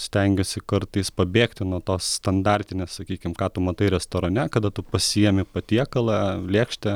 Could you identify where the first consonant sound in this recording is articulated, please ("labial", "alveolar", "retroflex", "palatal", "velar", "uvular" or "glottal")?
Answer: alveolar